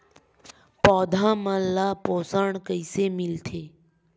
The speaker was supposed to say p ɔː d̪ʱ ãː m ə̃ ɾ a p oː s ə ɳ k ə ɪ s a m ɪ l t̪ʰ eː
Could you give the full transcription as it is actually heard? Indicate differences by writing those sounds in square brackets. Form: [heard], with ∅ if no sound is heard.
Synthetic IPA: p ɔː d̪ʱ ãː m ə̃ [l] a p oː s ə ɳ k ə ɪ s [e] m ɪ l t̪ʰ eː